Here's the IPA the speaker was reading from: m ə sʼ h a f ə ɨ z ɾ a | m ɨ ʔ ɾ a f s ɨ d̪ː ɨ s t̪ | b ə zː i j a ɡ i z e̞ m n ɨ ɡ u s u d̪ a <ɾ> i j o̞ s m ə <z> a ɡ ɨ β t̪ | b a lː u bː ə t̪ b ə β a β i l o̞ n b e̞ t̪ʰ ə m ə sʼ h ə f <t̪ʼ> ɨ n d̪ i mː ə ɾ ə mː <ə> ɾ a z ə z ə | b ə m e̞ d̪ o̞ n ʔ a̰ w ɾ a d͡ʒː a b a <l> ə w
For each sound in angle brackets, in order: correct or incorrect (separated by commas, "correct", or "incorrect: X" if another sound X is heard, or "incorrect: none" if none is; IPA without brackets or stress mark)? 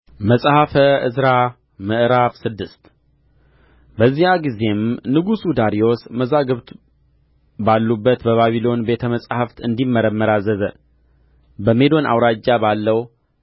correct, correct, incorrect: t̪, correct, incorrect: lː